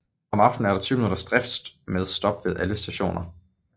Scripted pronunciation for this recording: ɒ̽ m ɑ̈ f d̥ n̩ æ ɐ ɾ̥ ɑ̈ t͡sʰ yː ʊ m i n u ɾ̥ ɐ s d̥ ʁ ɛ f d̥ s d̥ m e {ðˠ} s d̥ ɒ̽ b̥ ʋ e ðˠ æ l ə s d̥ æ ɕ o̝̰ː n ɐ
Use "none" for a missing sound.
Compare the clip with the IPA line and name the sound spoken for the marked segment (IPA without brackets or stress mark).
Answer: ðˠ